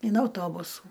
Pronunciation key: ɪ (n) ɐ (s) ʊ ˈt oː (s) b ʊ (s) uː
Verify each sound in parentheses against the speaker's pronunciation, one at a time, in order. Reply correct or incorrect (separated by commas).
correct, incorrect, incorrect, correct